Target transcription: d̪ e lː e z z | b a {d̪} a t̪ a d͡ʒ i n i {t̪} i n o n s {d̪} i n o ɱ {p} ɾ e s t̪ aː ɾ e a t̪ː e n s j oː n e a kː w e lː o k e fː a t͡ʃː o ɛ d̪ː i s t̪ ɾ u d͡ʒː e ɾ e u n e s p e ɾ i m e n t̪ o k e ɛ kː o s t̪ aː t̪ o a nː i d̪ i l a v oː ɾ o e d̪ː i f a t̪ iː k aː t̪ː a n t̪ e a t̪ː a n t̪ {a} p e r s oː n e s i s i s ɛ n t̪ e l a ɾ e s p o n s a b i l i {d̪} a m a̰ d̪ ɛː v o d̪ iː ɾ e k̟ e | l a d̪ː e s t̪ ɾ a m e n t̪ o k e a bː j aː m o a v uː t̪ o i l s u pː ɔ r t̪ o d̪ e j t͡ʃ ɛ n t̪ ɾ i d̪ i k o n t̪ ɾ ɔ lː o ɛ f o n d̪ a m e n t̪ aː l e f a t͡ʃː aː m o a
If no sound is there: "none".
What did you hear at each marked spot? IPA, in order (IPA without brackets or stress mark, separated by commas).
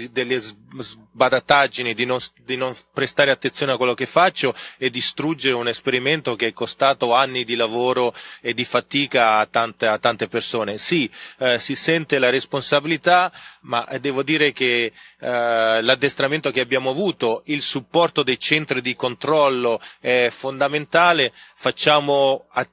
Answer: d̪, d̪, d̪, p, e, t̪